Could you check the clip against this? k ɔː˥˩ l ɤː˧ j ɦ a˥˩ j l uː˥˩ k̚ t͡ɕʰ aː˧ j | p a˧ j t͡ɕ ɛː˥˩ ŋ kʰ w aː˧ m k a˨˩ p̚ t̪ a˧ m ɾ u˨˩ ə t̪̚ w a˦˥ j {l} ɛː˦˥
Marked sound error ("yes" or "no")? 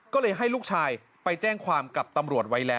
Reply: no